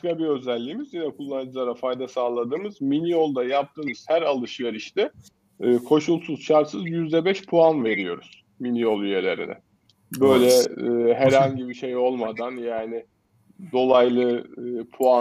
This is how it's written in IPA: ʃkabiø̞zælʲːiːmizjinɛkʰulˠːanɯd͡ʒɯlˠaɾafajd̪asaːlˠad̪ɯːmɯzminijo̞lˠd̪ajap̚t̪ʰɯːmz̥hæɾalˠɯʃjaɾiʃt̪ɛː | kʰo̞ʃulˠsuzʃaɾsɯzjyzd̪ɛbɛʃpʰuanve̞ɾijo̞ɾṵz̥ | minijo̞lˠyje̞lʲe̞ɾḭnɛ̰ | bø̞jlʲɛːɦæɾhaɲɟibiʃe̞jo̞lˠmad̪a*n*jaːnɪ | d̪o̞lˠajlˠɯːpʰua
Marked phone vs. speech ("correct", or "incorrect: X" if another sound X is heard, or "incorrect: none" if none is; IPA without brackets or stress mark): correct